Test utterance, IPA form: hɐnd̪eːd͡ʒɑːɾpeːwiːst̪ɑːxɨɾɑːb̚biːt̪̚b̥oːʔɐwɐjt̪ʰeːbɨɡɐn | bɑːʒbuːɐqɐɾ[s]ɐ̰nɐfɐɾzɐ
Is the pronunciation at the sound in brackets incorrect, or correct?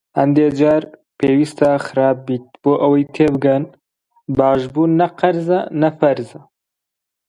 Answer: incorrect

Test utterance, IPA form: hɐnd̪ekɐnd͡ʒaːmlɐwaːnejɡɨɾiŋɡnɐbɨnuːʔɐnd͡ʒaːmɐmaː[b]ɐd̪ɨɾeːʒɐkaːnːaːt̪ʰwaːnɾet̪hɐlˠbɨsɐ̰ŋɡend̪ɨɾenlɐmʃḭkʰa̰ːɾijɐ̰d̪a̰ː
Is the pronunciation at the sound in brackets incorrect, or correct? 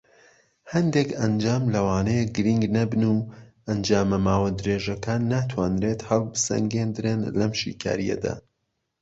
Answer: incorrect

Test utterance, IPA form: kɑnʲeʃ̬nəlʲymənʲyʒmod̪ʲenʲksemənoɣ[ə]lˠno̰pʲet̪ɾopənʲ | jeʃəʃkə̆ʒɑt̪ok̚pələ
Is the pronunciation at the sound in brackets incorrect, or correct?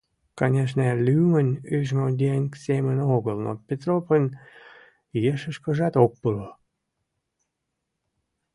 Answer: correct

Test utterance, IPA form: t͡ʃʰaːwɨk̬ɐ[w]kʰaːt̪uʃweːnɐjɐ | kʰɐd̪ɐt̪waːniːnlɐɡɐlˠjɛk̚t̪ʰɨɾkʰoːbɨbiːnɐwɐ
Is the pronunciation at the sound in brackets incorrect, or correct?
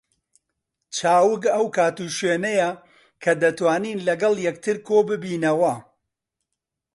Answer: correct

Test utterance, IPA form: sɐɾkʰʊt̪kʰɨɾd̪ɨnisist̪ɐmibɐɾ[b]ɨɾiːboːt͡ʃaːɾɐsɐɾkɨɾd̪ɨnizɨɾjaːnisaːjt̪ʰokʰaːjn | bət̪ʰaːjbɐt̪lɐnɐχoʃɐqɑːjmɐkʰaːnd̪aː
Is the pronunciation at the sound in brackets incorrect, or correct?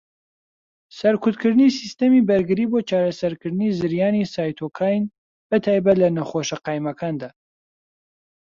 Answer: incorrect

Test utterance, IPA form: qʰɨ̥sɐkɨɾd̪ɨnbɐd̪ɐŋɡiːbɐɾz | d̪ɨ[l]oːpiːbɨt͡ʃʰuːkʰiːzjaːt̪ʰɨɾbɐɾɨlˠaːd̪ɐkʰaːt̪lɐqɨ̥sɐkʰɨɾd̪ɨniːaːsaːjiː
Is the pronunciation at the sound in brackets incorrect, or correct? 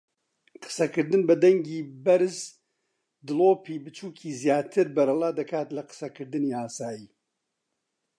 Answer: correct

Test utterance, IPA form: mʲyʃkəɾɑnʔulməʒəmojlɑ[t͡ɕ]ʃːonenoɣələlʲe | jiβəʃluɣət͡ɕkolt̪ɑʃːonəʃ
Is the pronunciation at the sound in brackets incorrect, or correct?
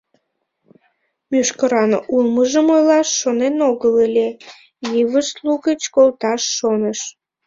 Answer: incorrect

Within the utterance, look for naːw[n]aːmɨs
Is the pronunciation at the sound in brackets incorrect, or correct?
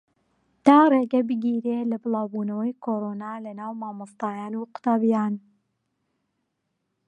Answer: incorrect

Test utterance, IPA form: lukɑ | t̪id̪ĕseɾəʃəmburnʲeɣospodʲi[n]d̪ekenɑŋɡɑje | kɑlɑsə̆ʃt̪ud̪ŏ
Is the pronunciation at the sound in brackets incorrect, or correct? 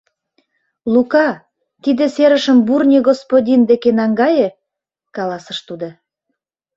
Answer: correct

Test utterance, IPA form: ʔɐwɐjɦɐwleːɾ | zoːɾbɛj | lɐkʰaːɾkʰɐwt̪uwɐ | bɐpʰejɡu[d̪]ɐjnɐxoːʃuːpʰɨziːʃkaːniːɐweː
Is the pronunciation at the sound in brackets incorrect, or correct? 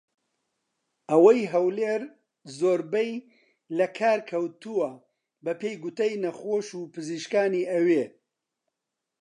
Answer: incorrect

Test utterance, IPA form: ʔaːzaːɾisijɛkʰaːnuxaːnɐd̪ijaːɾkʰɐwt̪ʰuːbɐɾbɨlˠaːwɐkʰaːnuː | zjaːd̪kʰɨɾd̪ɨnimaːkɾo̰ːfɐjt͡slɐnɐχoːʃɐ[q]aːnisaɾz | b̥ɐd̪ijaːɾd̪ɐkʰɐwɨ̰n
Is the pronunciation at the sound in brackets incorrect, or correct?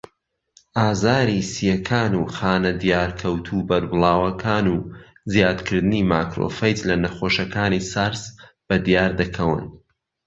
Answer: incorrect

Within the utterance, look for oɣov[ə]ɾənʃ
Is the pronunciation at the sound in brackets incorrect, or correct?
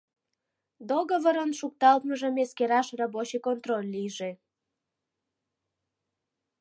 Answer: correct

